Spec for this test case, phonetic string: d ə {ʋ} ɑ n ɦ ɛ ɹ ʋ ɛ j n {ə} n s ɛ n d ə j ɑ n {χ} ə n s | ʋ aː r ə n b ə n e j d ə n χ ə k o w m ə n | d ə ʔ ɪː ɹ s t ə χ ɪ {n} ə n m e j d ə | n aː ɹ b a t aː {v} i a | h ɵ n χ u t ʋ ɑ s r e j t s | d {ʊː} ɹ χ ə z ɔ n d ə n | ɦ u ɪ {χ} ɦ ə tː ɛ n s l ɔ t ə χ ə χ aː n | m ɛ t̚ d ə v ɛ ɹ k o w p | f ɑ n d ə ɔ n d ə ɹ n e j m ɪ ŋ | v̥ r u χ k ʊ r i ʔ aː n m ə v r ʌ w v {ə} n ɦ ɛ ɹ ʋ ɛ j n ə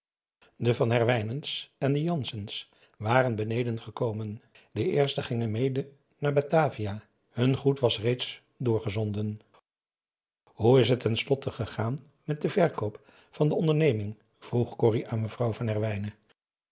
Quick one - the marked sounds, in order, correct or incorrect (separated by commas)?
incorrect, correct, incorrect, incorrect, correct, correct, incorrect, incorrect